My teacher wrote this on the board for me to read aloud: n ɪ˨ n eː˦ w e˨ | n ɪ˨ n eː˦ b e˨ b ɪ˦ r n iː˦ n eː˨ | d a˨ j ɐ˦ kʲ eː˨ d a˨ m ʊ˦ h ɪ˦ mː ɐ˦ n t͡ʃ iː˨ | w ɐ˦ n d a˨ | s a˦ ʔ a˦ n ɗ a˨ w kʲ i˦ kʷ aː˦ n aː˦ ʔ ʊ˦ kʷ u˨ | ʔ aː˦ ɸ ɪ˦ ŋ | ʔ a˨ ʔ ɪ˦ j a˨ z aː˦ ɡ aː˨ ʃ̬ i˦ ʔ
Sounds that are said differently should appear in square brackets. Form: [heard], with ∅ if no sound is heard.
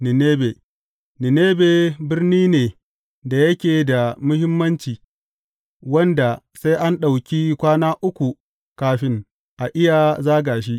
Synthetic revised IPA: n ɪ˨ n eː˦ [b] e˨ | n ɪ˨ n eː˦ b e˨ b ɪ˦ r n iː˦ n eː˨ | d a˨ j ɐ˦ kʲ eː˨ d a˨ m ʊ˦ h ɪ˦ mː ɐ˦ n t͡ʃ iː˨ | w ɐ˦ n d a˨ | s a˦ ʔ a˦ n ɗ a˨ w kʲ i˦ kʷ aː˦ n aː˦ ʔ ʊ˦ kʷ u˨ | [k] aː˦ ɸ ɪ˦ ŋ | ʔ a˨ ʔ ɪ˦ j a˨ z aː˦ ɡ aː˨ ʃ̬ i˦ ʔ

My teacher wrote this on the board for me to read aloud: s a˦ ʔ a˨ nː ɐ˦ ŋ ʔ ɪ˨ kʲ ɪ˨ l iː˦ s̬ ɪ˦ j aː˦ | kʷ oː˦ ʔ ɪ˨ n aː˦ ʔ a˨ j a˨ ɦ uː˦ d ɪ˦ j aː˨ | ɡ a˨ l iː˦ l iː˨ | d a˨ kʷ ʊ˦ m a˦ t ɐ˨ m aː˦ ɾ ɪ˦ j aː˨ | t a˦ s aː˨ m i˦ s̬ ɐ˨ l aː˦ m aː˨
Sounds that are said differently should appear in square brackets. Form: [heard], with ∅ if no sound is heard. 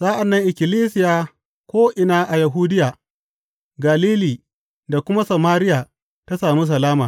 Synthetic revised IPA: s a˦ ʔ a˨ nː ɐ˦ ŋ ʔ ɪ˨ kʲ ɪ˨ l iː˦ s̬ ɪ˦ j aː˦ | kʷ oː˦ ʔ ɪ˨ n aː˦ ʔ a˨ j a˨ ɦ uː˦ d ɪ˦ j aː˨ | ɡ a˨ l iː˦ l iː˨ | d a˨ kʷ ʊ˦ m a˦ [s] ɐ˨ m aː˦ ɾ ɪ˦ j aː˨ | t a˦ s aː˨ m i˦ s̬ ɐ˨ l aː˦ m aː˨

